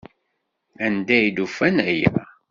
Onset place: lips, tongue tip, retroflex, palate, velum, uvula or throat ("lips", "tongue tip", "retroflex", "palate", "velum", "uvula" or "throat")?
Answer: tongue tip